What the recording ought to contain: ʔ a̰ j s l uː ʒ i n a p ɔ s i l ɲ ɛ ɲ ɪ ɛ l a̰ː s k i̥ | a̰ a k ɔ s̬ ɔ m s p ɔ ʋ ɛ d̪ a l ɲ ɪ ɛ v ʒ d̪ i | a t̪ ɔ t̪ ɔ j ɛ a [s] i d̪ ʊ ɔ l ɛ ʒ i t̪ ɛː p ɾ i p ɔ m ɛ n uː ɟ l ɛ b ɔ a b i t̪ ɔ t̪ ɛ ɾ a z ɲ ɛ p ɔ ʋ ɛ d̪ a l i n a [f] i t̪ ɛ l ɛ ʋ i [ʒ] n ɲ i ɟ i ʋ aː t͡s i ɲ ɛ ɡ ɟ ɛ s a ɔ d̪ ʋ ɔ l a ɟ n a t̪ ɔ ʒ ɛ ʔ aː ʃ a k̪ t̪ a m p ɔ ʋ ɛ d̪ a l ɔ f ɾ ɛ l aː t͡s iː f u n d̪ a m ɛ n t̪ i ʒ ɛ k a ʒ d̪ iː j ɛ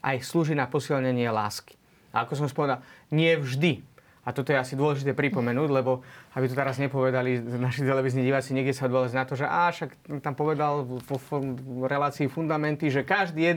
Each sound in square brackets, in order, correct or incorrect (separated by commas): correct, incorrect, incorrect